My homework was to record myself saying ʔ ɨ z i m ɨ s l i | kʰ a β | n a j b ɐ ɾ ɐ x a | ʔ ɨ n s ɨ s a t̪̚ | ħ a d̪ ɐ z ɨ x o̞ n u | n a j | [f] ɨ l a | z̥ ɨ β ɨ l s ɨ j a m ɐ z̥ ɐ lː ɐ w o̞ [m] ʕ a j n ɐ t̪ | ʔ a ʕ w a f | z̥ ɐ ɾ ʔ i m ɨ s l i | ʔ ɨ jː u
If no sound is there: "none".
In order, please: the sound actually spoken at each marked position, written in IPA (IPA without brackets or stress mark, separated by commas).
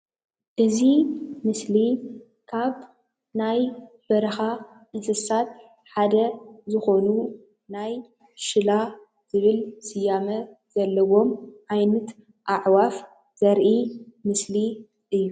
ʃ, m